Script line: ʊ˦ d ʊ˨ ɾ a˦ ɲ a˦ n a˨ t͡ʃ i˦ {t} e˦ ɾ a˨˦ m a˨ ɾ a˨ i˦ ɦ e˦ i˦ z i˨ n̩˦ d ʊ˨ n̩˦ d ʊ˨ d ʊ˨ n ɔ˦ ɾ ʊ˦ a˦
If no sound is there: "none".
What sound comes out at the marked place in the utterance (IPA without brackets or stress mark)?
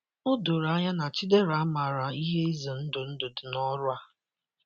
d